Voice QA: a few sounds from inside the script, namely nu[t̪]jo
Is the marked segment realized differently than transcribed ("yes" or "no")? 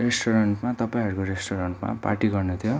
yes